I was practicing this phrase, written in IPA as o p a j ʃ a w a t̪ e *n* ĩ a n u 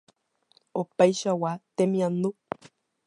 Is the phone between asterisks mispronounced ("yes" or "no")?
yes